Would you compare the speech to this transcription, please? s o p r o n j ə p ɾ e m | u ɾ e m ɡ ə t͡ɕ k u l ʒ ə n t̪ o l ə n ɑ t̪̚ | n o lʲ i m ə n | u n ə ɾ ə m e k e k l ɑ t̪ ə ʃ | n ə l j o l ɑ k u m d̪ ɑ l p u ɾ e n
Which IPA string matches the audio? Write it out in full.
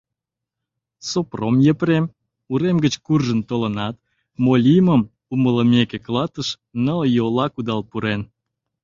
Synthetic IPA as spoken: s o p r o m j ə p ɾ e m | u ɾ e m ɡ ə t͡ɕ k u r ʒ ə n t̪ o l ə n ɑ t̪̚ | m o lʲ i m ə m | u m ə l ə m e k e k l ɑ t̪ ə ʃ | n ə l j o l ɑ k u d̪ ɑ l p u ɾ e n